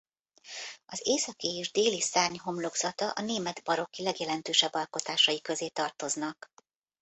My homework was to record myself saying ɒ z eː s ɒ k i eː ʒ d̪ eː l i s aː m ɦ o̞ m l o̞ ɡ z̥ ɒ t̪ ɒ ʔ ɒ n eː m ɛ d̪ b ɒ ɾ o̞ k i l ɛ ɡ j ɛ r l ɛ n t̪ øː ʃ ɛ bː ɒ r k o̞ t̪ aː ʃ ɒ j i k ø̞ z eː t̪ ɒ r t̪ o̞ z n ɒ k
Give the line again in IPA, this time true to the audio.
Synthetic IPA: ɒ z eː s ɒ k i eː ʒ d̪ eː l i s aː ɲ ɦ o̞ m l o̞ ɡ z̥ ɒ t̪ ɒ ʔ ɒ n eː m ɛ d̪ b ɒ ɾ o̞ k i l ɛ ɡ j ɛ l ɛ n t̪ øː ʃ ɛ bː ɒ l k o̞ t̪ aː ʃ ɒ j i k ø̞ z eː t̪ ɒ r t̪ o̞ z n ɒ k